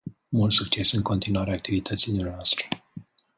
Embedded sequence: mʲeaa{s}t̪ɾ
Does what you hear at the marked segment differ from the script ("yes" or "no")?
no